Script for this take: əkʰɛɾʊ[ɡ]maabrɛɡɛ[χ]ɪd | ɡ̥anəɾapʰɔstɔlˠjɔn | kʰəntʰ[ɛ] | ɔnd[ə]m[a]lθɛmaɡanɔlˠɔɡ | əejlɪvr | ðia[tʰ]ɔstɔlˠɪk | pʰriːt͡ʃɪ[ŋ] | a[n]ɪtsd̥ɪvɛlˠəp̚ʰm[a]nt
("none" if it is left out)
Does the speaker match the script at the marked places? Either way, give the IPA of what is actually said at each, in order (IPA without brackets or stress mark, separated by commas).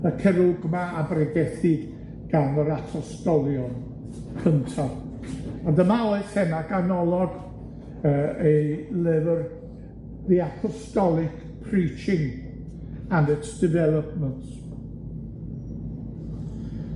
ɡ, θ, a, ə, a, pʰ, ŋ, n, ə